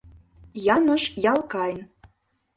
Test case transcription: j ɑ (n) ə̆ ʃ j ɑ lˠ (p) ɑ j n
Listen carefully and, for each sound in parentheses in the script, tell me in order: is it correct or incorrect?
correct, incorrect

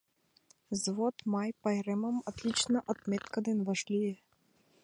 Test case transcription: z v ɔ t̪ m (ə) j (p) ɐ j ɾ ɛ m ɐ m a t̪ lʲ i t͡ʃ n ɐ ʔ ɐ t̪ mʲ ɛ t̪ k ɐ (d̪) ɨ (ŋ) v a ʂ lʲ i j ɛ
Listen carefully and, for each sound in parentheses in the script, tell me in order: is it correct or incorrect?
incorrect, correct, correct, incorrect

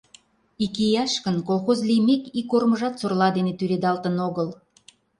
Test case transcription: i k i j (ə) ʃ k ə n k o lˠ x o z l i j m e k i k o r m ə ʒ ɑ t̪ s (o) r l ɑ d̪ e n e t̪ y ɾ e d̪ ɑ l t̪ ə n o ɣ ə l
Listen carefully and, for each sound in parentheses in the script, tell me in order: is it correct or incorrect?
incorrect, correct

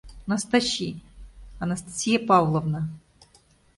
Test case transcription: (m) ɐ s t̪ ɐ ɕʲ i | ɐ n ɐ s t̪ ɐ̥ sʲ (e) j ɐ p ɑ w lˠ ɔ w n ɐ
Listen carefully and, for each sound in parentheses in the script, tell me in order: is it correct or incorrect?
incorrect, incorrect

